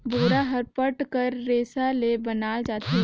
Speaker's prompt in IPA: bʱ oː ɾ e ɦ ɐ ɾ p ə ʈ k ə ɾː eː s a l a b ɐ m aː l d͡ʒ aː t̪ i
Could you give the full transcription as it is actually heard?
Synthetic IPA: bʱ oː ɾ a ɦ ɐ ɾ p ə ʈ k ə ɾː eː s a l e b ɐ n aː l d͡ʒ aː t̪ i